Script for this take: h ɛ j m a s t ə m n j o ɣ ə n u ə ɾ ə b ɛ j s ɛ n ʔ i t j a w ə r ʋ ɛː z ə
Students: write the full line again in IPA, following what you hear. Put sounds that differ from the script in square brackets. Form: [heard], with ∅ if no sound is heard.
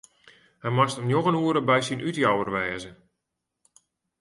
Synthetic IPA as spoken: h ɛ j m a s t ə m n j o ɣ ə n u ə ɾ ə b ɛ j s [i] n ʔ [y] t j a w ə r ʋ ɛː z ə